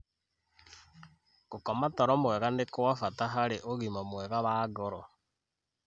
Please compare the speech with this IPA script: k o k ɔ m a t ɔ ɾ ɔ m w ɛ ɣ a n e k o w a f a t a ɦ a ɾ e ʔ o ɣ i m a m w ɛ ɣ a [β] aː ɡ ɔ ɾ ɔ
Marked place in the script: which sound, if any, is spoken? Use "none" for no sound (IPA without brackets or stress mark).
β